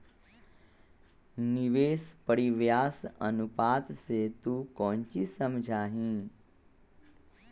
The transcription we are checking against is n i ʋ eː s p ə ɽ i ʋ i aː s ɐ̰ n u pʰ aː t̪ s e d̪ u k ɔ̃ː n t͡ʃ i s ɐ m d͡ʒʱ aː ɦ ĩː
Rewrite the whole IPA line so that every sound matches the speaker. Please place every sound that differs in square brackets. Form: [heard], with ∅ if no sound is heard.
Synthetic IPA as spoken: n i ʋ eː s p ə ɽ i ʋ [j] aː s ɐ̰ n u [p] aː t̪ s e [t̪] u k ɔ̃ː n t͡ʃ i s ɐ m d͡ʒʱ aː ɦ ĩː

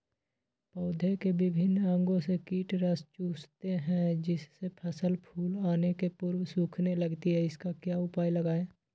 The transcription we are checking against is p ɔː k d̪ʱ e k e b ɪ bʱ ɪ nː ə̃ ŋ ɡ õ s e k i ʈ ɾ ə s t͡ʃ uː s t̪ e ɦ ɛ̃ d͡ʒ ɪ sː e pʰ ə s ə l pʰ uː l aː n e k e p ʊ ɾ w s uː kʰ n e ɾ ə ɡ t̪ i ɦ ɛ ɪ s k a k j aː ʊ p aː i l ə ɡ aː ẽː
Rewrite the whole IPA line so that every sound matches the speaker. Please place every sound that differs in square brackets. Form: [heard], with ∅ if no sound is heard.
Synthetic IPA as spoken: p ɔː [∅] d̪ʱ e k e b ɪ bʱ ɪ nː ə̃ ŋ ɡ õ s e k [iː] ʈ ɾ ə s t͡ʃ uː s t̪ e ɦ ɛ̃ d͡ʒ ɪ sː e pʰ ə s ə l pʰ uː l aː n e k e p ʊ ɾ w s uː kʰ n e [l] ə ɡ t̪ i ɦ ɛ ɪ s k a k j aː ʊ p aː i l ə ɡ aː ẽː

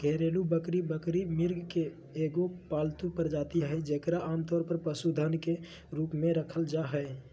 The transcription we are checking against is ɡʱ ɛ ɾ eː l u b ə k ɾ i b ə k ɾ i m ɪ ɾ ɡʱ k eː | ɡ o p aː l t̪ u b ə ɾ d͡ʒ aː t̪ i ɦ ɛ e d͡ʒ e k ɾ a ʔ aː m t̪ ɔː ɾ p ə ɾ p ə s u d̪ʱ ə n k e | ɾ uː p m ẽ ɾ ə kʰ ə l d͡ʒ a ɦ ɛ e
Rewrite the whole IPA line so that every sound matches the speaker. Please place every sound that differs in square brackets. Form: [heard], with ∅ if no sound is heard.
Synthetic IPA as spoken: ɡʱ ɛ ɾ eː l u b ə k ɾ i b ə k ɾ i m ɪ ɾ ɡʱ k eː | ɡ o p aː l t̪ u [p] ə ɾ d͡ʒ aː t̪ i ɦ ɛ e d͡ʒ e k ɾ a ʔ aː m t̪ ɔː ɾ p ə ɾ p ə s u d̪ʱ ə n k e | ɾ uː p m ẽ ɾ ə kʰ ə l d͡ʒ a ɦ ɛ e

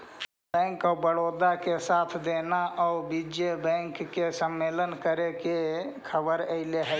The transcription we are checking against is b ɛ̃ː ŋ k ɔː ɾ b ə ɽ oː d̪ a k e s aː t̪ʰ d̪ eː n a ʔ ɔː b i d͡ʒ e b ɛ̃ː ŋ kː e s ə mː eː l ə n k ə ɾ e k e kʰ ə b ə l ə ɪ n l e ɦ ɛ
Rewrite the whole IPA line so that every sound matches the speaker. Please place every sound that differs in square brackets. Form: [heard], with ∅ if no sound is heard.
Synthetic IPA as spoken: b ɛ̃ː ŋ k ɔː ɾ b ə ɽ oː d̪ a k e s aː t̪ʰ d̪ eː n a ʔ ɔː b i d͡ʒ e b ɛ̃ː ŋ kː e s ə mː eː l ə n k ə ɾ e k e kʰ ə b ə [ɾ] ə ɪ [∅] l e ɦ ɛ

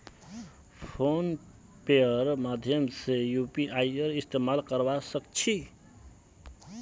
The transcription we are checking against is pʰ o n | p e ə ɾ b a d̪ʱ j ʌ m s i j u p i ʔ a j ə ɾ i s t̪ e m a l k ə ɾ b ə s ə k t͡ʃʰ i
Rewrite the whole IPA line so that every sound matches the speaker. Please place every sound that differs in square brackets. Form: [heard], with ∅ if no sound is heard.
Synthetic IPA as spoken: pʰ o n | p e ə ɾ [m] a d̪ʱ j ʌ m s [e] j u p i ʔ a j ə ɾ i s t̪ e m a l k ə ɾ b [a] s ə k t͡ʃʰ i

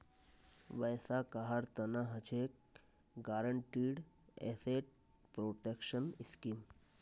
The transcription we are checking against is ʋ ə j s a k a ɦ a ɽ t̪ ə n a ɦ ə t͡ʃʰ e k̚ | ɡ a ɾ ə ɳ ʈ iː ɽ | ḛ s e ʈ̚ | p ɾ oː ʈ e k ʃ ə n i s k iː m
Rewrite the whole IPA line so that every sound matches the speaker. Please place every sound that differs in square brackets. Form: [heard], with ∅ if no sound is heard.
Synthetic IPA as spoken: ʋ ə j s a k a ɦ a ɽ t̪ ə n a ɦ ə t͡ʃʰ e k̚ | ɡ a ɾ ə ɳ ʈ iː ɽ | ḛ s e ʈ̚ | p ɾ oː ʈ e k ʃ ə n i s k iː m

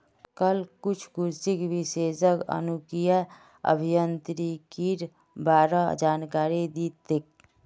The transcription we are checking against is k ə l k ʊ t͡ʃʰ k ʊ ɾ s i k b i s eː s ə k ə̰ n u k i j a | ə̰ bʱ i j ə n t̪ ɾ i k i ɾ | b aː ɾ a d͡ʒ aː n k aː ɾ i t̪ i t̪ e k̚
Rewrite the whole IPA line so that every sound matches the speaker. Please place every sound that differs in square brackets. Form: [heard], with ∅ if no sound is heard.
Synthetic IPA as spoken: k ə l k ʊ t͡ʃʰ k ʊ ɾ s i k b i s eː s ə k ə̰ n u k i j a | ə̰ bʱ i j ə n t̪ ɾ i k i ɾ | b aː ɾ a d͡ʒ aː n k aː ɾ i [d̪] i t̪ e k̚

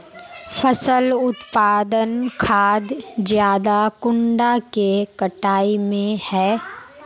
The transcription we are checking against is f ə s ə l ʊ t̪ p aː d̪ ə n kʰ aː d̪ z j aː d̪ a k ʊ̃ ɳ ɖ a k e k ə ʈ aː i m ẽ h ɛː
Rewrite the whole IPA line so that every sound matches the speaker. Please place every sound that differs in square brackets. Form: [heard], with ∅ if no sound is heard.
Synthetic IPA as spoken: f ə s ə l ʊ t̪ p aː d̪ ə n kʰ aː d̪ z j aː d̪ a k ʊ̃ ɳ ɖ a k e k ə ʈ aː i m ẽ h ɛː

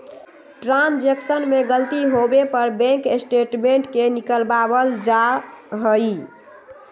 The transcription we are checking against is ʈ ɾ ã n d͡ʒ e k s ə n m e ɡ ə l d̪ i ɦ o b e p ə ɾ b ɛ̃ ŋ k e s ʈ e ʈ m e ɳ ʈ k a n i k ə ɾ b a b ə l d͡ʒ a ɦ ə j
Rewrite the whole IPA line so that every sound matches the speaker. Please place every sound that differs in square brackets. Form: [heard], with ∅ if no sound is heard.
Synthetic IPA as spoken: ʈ ɾ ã n d͡ʒ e k s ə n m e ɡ ə l [t̪] i ɦ o b e p ə ɾ b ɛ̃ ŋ k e s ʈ e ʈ m e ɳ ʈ k [e] n i k ə [l] b a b ə l d͡ʒ a ɦ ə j

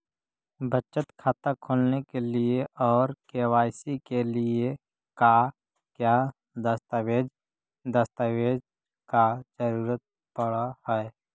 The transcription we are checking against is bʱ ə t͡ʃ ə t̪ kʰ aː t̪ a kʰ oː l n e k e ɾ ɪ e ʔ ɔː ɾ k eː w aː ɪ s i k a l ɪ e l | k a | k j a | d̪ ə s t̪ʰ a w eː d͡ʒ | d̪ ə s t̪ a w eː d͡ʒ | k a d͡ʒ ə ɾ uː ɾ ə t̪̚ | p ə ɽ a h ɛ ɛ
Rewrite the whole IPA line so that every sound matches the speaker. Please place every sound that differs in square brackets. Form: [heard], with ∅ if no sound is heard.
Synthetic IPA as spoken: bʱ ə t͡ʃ ə t̪ kʰ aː t̪ a kʰ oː l n e k e [l] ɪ e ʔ ɔː ɾ k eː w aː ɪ s i k [e] l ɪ e [∅] | k a | k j a | d̪ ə s [t̪] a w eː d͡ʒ | d̪ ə s t̪ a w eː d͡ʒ | k a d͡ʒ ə ɾ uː ɾ ə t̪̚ | p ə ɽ a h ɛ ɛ

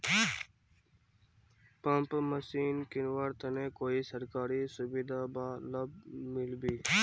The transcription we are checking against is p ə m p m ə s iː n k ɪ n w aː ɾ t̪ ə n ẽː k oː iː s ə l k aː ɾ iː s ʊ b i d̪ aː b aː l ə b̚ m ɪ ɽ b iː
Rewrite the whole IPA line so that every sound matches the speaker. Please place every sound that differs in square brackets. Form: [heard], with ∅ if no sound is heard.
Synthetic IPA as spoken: p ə m p m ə s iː n k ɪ n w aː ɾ t̪ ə n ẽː k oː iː s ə [ɾ] k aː ɾ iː s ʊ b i d̪ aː b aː l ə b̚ m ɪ [l] b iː

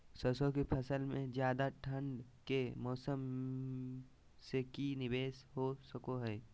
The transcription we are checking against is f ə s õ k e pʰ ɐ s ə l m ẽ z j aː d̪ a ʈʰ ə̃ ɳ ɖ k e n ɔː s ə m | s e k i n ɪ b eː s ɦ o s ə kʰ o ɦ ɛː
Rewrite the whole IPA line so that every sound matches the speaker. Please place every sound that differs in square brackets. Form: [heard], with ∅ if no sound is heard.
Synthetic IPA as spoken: [s] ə s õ k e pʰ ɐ s ə l m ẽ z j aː d̪ a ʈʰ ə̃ ɳ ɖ k e [m] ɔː s ə m | s e k i n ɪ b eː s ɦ o s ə [k] o ɦ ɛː

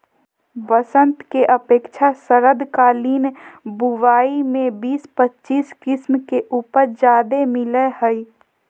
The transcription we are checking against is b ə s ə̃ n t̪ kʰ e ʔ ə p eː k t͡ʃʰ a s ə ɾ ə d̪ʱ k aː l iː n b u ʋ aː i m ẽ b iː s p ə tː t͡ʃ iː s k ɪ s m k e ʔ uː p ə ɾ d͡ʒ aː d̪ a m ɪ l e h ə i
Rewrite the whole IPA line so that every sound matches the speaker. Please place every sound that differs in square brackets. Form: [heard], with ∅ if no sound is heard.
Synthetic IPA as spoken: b ə s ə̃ n t̪ [k] e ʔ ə p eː k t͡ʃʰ a s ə ɾ ə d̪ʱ k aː l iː n b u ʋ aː i m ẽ b iː s p ə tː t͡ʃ iː s k ɪ s m k e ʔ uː p ə ɾ d͡ʒ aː d̪ [e] m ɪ l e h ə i

